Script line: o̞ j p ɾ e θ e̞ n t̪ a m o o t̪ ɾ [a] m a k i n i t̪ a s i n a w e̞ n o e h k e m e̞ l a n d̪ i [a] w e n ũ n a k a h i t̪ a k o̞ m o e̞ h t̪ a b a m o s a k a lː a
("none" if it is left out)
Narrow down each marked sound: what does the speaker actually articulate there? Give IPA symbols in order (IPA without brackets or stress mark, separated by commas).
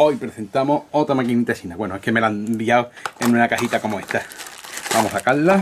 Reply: a, a